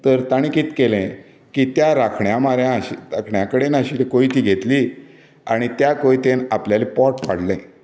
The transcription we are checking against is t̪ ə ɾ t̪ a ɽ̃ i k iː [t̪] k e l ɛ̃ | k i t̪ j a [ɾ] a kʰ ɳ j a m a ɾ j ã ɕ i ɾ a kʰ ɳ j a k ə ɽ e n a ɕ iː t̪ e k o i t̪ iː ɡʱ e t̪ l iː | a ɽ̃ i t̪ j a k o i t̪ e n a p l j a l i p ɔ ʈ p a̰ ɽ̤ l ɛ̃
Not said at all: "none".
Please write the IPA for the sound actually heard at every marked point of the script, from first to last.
t̪, ɾ

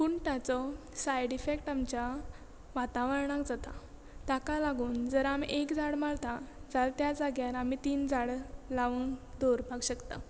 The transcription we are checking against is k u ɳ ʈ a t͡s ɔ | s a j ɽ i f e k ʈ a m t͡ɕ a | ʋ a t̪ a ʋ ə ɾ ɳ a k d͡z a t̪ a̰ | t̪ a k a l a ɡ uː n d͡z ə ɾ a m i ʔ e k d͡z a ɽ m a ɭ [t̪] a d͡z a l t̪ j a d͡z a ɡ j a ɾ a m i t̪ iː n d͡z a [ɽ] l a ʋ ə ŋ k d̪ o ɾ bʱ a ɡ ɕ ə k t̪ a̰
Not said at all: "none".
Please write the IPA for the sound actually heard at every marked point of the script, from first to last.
t̪, ɽ

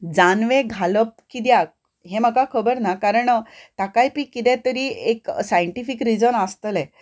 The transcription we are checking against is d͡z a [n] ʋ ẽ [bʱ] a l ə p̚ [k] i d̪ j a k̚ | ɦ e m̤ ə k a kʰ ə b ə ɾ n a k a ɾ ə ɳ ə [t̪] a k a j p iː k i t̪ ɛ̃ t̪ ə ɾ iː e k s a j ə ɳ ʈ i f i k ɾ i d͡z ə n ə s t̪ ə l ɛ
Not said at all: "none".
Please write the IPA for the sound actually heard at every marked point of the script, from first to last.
n, ɡʱ, k, t̪

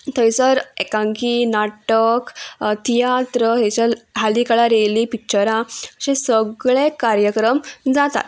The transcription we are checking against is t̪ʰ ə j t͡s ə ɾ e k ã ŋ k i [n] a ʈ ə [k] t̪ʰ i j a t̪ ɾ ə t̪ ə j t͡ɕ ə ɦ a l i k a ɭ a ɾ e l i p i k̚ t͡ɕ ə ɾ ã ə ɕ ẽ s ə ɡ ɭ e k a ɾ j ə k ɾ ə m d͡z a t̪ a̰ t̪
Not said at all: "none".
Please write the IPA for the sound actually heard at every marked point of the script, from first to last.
n, k

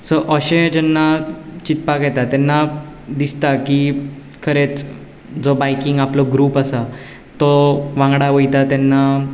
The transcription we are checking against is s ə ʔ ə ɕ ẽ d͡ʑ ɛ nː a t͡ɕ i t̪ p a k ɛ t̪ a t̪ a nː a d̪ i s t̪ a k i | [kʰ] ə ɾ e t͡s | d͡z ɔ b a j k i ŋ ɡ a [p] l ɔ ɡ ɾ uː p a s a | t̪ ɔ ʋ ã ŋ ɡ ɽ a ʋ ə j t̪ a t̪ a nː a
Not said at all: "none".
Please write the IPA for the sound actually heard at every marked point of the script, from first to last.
kʰ, p

